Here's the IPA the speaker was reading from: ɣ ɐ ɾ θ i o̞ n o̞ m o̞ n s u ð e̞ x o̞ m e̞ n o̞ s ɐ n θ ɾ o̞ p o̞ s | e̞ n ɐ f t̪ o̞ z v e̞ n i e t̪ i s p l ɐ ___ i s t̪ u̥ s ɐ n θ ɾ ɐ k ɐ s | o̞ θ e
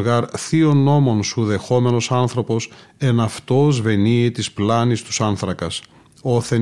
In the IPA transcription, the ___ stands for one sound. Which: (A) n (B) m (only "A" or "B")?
A